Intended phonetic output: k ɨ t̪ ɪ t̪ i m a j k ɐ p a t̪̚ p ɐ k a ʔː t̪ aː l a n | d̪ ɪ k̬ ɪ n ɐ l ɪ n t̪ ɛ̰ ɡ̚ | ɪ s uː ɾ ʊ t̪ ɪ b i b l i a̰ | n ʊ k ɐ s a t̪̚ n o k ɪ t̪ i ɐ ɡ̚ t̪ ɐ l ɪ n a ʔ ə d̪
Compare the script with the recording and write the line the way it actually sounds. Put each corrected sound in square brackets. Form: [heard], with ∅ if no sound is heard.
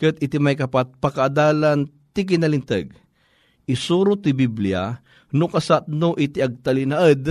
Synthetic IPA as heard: k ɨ t̪ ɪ t̪ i m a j k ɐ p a t̪̚ p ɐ k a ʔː [d̪] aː l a n | [t̪] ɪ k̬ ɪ n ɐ l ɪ n t̪ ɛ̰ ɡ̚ | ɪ s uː ɾ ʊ t̪ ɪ b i b l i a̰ | n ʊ k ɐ s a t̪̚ n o [ʔ] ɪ t̪ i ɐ ɡ̚ t̪ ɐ l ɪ n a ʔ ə d̪